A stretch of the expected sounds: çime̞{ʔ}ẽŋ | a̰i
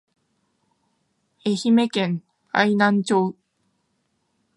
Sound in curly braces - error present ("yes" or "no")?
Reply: yes